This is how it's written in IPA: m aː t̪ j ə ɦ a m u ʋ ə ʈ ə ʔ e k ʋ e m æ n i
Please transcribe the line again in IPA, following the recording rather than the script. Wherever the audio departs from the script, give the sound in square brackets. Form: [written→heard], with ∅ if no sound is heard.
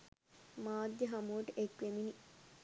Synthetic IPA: m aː [t̪→d̪] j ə ɦ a m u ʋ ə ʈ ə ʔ e k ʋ e m [æ→i] n i